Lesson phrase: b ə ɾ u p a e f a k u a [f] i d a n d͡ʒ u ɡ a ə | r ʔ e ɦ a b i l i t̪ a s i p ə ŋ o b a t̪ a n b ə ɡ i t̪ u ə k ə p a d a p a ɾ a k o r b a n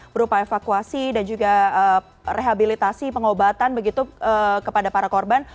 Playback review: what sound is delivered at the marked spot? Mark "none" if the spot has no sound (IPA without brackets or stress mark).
s